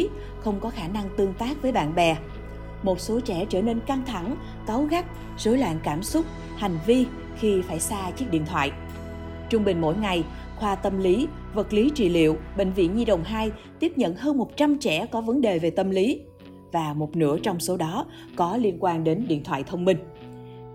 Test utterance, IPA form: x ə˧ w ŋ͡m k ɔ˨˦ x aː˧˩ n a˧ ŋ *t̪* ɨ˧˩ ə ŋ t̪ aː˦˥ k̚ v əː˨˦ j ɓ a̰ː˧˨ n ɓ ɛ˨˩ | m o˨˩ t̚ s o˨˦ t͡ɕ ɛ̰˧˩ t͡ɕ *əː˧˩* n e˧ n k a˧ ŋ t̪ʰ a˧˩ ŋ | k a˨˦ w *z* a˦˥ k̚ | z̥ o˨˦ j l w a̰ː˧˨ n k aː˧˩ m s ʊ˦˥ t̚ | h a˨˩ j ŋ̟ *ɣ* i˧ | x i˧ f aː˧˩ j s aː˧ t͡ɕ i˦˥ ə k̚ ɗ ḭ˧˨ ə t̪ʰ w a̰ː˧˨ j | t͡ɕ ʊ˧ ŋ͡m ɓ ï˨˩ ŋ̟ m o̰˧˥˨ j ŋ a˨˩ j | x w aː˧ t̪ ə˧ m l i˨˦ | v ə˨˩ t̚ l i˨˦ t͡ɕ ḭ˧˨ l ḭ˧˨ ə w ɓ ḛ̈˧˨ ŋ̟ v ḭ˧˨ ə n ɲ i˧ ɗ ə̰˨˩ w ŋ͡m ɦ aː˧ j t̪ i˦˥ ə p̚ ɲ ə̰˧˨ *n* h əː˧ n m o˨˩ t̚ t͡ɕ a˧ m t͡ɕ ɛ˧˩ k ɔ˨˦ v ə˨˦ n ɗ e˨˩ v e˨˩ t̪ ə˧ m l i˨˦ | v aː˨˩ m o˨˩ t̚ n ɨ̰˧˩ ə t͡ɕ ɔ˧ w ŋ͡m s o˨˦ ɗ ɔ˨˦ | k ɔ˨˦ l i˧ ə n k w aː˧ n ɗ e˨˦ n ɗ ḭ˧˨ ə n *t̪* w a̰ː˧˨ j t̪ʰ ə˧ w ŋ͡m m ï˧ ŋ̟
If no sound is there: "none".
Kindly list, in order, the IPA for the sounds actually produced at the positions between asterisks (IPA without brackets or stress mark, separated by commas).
t̪, əː˧˩, ɣ, v, n, t̪ʰ